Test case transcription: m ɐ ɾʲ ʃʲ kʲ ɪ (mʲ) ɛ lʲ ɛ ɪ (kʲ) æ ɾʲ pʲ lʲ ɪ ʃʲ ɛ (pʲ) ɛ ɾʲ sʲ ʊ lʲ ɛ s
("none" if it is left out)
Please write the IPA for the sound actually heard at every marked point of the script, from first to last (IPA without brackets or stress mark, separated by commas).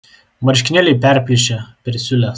nʲ, pʲ, pʲ